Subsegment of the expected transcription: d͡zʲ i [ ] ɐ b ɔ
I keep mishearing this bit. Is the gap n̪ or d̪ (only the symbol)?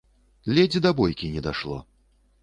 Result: d̪